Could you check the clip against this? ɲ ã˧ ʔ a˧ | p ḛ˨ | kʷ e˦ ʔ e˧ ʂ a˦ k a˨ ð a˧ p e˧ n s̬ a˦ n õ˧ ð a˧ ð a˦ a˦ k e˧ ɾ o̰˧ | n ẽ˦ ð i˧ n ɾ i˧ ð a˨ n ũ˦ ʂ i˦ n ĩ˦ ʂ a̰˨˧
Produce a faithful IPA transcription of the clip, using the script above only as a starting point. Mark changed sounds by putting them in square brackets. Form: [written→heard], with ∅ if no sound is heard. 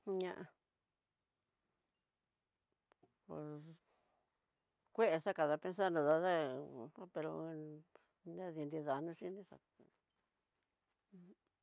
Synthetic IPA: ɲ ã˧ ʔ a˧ | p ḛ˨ | kʷ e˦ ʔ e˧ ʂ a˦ k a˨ ð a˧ p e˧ n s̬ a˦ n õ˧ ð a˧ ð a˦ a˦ [k→p] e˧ ɾ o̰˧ | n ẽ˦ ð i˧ n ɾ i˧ ð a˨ n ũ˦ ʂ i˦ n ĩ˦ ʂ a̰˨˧